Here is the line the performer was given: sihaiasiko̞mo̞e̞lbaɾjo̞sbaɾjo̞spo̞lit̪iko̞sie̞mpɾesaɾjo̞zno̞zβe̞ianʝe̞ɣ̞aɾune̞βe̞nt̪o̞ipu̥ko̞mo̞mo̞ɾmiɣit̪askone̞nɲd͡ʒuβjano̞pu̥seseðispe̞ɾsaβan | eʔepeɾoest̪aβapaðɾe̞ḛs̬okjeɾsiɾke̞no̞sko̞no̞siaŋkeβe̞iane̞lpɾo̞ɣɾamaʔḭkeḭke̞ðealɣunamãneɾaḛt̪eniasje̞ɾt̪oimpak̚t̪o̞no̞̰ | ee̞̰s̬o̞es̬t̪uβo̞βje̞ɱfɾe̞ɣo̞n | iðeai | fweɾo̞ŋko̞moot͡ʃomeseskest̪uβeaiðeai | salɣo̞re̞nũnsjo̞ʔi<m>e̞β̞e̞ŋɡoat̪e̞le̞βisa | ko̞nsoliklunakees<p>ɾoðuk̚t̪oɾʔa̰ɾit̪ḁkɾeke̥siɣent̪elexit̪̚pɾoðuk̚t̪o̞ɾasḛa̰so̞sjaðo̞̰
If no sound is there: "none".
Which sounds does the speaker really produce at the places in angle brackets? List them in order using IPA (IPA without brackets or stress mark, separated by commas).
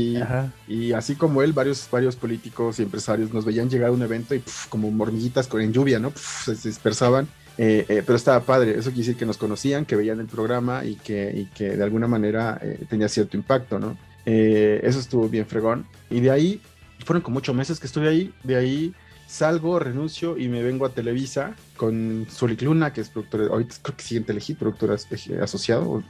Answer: m, p